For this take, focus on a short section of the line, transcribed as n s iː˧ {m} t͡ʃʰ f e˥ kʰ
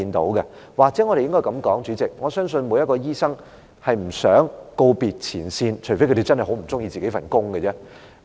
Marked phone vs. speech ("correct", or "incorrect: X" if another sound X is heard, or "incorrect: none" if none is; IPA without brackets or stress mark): incorrect: n